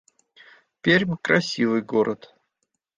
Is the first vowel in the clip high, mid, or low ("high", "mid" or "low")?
mid